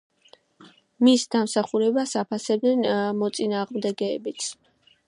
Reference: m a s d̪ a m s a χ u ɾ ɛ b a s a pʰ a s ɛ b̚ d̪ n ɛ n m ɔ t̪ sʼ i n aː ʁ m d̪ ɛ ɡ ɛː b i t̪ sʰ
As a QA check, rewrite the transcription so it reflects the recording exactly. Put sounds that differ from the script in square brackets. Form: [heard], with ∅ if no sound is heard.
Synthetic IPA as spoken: m [i] s d̪ a m s a χ u ɾ ɛ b a s a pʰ a s ɛ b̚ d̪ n ɛ n m ɔ t̪ sʼ i n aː ʁ m d̪ ɛ ɡ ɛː b i t̪ sʰ